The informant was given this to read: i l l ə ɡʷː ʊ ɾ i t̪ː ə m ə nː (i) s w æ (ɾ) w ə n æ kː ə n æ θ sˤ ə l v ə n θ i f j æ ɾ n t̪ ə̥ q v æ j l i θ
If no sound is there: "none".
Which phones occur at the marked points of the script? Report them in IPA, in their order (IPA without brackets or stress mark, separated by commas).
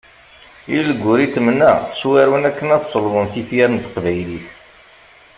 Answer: æ, ɾ